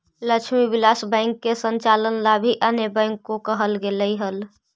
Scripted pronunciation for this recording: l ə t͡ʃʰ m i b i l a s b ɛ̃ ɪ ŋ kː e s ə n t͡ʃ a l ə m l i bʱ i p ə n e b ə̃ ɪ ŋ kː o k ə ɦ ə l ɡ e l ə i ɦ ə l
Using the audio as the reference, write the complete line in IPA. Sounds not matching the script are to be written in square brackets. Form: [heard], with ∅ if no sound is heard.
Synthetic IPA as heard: l ə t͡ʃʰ m i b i l a s b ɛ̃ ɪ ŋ kː e s ə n t͡ʃ a l ə [n] l [a] bʱ i [ʔ] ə n e b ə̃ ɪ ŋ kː o k ə ɦ ə l ɡ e l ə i ɦ ə l